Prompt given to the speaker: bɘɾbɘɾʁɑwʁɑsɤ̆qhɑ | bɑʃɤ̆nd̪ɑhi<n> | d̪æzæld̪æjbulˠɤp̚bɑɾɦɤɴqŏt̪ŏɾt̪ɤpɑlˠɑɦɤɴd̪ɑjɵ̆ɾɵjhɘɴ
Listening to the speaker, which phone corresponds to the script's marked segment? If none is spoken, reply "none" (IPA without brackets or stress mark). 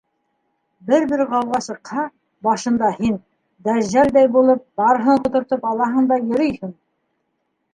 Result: n